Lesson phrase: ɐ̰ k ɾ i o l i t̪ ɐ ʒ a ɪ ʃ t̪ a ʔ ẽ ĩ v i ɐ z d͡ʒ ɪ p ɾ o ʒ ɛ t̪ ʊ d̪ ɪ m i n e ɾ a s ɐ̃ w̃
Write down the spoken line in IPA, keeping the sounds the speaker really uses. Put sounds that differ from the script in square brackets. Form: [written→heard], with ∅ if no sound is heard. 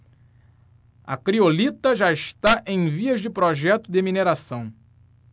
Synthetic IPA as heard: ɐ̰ k ɾ i o l i t̪ ɐ ʒ a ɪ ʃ t̪ a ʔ ẽ [ĩ→j̃] v i ɐ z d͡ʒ ɪ p ɾ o ʒ ɛ t̪ ʊ d̪ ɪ m i n e ɾ a s ɐ̃ w̃